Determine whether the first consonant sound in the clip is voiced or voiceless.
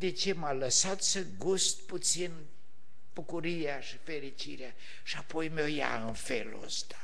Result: voiced